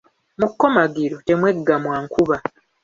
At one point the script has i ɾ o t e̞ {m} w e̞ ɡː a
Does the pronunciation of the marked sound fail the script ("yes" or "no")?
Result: no